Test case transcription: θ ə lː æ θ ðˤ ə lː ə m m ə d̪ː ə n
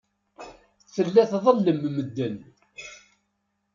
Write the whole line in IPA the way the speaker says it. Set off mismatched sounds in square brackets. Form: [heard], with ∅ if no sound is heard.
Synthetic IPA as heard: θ ə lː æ θ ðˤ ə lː ə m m ə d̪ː ə n